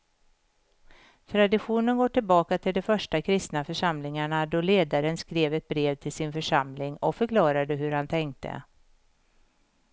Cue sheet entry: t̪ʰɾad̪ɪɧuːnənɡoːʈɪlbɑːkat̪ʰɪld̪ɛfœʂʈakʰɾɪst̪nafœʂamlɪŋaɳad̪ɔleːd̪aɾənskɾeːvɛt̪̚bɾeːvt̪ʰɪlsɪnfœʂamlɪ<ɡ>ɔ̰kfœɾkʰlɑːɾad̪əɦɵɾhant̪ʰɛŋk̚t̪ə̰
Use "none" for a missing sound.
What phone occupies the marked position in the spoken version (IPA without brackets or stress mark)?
ŋ